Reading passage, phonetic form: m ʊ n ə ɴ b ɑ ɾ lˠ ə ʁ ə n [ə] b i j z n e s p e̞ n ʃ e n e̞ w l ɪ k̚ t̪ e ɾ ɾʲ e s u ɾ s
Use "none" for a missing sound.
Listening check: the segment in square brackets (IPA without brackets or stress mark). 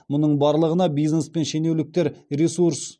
ɑ